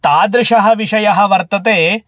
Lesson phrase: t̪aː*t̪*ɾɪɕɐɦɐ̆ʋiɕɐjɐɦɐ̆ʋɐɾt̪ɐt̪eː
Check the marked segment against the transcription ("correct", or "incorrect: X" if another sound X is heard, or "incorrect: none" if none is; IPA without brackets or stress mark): incorrect: d̪